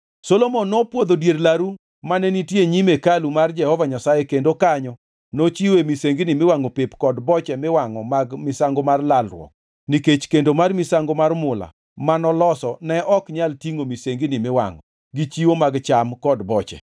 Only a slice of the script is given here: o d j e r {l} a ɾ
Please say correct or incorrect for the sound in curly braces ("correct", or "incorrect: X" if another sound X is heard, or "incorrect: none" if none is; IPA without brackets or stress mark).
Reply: correct